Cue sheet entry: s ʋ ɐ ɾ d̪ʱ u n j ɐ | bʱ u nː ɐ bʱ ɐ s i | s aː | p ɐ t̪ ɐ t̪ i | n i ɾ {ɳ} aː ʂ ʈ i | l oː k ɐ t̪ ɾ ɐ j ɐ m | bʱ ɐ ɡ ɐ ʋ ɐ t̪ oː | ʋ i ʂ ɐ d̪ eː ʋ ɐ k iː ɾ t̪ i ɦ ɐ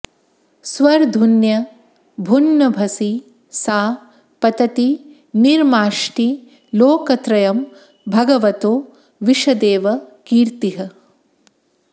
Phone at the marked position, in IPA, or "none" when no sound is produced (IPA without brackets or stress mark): m